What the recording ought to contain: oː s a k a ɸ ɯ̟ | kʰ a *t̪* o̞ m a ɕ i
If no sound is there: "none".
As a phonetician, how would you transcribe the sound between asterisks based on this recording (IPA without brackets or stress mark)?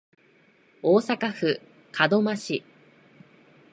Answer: d̪